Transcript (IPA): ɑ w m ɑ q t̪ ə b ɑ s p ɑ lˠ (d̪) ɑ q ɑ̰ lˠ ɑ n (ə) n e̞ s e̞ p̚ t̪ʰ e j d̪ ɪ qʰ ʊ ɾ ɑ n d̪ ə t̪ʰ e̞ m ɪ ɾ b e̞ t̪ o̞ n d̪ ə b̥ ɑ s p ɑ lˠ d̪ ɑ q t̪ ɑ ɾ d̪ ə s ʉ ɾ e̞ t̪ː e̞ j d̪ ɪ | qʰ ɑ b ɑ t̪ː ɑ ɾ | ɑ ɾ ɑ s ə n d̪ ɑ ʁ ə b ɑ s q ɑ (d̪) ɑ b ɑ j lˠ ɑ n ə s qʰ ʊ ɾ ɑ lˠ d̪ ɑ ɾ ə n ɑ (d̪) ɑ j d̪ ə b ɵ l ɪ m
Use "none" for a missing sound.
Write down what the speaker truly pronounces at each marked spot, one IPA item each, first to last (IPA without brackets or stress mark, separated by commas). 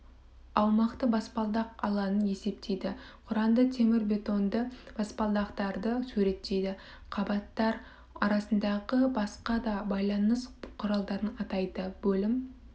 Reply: d̪, ə, d̪, t̪